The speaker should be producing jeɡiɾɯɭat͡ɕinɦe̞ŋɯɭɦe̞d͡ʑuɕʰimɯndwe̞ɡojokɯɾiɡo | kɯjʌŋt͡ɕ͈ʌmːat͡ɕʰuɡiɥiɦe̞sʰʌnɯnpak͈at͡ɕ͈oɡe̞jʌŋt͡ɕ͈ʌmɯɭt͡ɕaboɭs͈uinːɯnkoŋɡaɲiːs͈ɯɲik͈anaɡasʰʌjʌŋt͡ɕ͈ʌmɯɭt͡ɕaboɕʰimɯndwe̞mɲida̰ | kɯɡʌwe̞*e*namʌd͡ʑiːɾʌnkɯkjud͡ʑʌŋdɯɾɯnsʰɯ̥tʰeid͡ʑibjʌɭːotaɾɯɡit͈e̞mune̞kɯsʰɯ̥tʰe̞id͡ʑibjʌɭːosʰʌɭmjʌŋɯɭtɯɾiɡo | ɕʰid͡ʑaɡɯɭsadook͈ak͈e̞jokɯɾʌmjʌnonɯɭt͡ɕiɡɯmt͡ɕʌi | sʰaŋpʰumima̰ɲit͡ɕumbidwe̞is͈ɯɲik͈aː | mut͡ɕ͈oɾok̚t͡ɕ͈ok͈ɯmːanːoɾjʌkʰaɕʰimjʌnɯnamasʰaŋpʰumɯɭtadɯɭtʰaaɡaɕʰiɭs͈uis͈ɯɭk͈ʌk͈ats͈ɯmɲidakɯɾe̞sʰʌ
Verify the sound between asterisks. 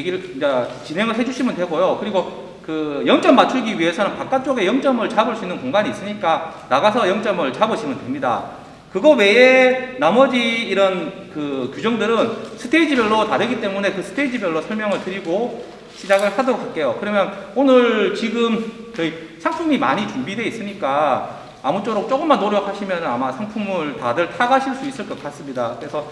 correct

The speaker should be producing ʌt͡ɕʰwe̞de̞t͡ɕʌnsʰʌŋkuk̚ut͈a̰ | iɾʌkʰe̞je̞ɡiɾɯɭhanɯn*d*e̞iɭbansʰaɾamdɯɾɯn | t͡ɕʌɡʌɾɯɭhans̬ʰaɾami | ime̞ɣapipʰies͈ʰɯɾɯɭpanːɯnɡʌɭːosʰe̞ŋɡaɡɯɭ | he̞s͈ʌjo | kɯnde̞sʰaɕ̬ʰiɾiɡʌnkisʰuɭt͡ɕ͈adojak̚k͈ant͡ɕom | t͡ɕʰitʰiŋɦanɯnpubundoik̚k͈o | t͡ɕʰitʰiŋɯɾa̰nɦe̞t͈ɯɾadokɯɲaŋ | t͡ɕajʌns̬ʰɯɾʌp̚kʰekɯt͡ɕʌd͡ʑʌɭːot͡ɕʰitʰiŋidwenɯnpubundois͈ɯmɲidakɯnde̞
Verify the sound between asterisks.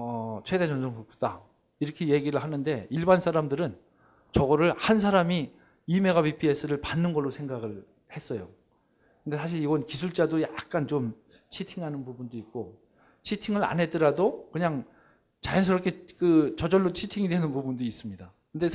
correct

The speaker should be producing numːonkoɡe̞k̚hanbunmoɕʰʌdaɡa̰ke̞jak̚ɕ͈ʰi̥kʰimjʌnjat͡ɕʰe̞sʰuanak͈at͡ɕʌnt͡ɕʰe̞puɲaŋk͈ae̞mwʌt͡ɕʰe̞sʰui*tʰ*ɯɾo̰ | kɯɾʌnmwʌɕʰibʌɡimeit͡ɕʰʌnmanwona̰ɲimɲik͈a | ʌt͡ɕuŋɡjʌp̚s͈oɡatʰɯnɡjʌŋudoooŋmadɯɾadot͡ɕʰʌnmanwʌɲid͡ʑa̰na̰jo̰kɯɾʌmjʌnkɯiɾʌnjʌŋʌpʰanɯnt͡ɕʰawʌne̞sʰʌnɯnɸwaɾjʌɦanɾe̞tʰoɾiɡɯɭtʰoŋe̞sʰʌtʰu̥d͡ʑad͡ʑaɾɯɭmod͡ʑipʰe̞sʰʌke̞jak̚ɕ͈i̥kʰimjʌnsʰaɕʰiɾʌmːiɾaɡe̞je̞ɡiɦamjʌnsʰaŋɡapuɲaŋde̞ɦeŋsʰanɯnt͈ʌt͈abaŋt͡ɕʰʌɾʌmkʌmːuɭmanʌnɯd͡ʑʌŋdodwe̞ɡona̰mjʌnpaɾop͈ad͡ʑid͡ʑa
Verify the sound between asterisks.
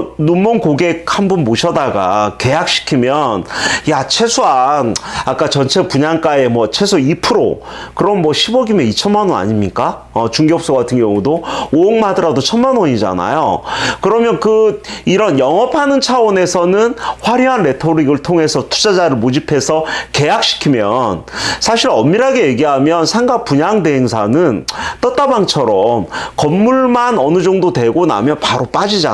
incorrect: pʰ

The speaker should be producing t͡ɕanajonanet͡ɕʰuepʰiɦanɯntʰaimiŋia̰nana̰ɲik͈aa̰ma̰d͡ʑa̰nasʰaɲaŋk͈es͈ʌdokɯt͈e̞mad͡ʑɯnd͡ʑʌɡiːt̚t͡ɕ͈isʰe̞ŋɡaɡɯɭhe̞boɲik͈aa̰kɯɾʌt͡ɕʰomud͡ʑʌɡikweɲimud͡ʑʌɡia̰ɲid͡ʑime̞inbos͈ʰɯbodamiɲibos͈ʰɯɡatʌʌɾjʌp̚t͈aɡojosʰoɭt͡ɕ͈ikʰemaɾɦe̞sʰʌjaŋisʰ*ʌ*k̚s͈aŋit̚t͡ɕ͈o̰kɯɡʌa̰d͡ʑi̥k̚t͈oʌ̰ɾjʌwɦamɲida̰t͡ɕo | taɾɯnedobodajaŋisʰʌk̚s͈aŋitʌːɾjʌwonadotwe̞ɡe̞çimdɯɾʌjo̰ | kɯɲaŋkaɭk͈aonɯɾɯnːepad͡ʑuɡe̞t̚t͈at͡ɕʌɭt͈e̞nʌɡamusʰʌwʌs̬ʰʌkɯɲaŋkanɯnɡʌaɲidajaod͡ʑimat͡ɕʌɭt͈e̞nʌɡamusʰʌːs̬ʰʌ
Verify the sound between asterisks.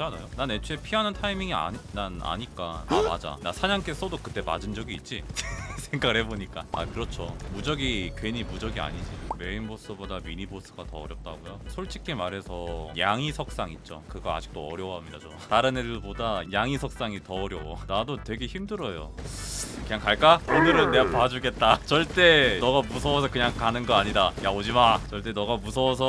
correct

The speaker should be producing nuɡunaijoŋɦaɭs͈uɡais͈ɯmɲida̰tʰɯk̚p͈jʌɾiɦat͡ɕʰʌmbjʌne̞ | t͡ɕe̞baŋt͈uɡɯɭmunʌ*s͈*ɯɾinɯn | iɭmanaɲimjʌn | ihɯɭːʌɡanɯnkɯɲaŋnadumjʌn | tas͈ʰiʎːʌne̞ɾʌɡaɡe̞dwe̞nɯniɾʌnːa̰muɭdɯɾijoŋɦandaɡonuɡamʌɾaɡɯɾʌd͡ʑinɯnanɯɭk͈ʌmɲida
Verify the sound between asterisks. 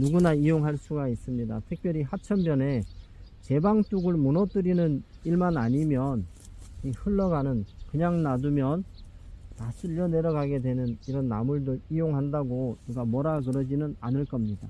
incorrect: t͈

